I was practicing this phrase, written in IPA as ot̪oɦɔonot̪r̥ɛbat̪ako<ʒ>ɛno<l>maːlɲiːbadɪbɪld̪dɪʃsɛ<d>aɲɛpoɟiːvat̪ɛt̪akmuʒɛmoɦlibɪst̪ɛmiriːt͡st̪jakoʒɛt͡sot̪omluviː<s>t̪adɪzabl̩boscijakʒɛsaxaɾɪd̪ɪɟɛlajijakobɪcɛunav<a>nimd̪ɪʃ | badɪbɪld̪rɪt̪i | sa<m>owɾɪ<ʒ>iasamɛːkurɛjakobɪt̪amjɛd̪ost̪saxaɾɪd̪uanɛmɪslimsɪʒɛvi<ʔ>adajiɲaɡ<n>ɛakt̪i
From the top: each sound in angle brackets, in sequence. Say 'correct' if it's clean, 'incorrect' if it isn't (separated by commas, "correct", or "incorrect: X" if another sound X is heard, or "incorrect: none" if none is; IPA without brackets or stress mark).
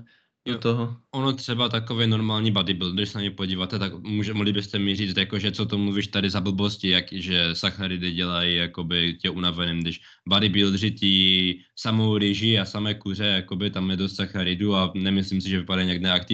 incorrect: v, incorrect: ɾ, incorrect: n, incorrect: ʃ, incorrect: ɛ, correct, correct, incorrect: p, correct